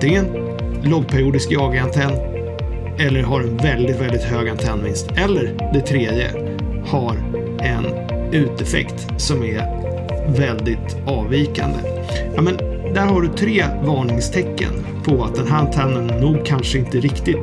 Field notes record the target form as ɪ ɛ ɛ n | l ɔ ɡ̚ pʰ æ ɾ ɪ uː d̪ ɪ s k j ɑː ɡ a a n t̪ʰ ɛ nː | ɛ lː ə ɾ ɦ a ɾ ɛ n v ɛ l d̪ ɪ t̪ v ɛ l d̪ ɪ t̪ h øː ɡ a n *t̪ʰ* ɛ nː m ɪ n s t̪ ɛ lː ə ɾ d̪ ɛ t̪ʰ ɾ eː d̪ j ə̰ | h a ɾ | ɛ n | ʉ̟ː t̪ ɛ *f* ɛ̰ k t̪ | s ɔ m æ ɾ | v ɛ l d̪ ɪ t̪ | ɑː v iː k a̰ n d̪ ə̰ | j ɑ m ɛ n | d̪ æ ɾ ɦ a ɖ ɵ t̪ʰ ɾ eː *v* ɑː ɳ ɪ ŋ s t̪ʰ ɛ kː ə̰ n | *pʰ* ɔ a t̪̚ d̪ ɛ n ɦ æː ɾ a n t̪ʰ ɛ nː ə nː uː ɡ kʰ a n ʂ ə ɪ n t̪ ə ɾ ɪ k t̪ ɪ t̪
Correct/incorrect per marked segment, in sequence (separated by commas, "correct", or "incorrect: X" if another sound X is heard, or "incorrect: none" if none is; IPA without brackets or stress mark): correct, correct, correct, correct